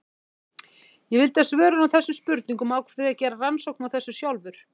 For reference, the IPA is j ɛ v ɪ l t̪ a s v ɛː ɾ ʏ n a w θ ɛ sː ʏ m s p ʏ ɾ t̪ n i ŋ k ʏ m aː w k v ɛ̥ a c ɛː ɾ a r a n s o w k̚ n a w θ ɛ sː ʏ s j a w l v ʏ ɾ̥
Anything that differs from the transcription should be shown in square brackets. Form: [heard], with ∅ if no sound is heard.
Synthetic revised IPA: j ɛ v ɪ l t̪ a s v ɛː ɾ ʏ n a w θ ɛ sː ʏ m s p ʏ ɾ t̪ n i ŋ k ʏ m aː w k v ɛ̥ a c ɛː ɾ a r a n s o w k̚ n a w θ ɛ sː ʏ s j a w l v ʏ ɾ̥